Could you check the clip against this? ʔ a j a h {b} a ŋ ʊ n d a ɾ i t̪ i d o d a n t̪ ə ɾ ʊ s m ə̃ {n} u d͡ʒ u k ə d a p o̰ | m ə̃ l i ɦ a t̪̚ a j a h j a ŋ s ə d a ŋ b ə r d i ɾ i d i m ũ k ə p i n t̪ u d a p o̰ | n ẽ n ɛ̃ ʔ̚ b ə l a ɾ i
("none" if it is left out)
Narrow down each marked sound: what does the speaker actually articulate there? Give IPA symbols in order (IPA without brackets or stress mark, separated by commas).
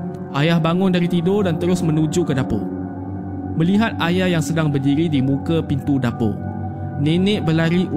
b, n